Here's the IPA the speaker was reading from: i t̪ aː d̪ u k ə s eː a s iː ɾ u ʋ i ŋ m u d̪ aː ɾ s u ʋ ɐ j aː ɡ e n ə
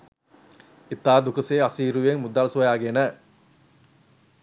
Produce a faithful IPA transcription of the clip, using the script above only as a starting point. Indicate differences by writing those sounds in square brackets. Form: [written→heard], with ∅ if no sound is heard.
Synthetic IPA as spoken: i t̪ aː d̪ u k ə s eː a s iː ɾ u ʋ [i→e] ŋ m u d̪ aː [ɾ→l] s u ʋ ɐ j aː ɡ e n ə